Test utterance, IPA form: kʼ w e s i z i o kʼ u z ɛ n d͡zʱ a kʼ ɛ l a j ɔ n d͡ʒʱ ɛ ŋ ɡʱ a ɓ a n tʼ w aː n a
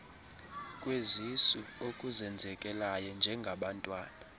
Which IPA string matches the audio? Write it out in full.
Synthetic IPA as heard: kʼ w e z i s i o kʼ u z ɛ n d͡zʱ ɛ kʼ ɛ l a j ɔ n d͡ʒʱ ɛ ŋ ɡʱ a ɓ a n tʼ w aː n a